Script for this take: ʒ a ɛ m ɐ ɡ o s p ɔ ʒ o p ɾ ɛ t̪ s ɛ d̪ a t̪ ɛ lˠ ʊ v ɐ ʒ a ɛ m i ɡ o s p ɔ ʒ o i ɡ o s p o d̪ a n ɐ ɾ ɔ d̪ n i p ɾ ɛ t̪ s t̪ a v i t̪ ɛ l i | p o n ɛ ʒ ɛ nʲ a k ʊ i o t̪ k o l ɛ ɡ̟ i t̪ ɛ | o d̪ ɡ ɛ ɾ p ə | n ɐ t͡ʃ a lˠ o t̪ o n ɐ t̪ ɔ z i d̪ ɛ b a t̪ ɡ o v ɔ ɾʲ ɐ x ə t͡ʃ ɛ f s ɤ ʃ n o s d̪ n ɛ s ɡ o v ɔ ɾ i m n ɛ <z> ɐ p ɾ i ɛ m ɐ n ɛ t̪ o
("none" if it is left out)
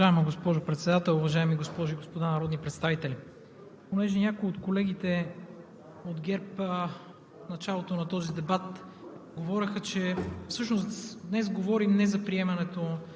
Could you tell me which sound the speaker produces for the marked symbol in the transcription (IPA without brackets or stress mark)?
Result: z